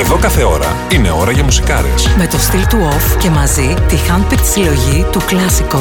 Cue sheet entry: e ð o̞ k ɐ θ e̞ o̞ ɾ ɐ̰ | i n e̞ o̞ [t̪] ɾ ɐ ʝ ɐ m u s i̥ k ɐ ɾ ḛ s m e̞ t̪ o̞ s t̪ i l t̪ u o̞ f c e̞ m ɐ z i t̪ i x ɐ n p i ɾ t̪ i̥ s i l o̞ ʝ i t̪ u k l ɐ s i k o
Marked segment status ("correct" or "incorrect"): incorrect